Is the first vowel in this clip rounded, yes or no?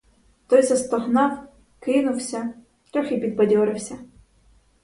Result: yes